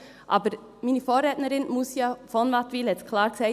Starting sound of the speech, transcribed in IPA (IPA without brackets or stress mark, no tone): ʔ